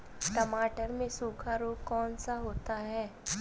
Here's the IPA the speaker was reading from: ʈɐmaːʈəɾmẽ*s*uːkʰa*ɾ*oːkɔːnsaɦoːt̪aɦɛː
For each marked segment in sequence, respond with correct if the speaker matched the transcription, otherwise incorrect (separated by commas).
correct, correct